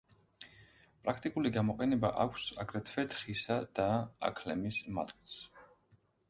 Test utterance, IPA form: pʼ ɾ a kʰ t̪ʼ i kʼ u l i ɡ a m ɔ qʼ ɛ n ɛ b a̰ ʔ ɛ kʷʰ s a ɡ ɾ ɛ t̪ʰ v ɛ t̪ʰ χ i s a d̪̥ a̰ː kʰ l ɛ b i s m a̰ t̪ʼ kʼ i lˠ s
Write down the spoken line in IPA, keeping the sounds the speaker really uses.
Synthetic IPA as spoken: pʼ ɾ a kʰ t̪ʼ i kʼ u l i ɡ a m ɔ qʼ ɛ n ɛ b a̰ ʔ a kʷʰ s a ɡ ɾ ɛ t̪ʰ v ɛ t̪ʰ χ i s a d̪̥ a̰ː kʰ l ɛ m i s m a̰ t̪ʼ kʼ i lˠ s